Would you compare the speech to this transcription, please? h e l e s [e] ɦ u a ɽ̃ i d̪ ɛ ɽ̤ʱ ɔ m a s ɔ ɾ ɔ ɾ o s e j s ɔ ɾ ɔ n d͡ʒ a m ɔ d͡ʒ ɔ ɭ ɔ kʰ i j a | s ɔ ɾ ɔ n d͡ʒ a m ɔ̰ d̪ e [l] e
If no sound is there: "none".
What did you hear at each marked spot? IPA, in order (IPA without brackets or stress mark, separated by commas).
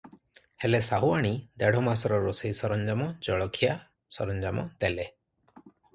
a, l